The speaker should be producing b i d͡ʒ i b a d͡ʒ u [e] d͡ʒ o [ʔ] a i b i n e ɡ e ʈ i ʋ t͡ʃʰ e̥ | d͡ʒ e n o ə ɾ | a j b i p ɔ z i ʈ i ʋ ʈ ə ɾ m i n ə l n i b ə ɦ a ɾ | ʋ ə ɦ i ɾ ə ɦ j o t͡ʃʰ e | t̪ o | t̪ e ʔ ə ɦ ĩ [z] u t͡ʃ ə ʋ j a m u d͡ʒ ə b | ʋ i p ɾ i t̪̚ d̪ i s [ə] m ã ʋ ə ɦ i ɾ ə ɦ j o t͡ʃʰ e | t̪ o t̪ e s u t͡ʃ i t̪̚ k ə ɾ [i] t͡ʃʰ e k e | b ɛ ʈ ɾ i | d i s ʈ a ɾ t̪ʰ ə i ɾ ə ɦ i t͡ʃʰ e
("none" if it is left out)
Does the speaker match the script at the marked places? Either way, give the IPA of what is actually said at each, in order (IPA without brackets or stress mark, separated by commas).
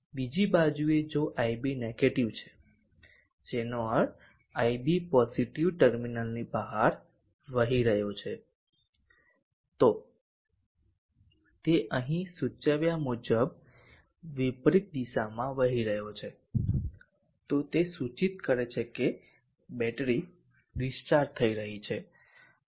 e, ʔ, s, a, e